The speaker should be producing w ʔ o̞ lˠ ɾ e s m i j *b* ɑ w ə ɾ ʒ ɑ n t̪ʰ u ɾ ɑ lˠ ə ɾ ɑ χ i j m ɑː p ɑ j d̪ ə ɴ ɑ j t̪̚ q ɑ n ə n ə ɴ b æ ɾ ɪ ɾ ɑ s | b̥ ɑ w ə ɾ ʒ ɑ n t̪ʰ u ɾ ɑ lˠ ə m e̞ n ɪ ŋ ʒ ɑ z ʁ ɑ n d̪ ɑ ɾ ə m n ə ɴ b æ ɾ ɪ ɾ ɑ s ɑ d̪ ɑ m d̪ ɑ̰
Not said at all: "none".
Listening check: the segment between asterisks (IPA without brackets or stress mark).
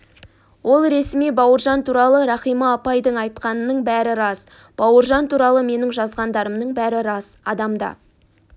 b